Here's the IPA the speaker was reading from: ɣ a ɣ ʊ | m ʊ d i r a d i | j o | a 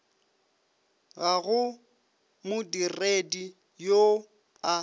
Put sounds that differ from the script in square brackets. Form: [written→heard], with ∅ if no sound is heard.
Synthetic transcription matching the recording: ɣ a ɣ ʊ | m ʊ d i r [a→e] d i | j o | a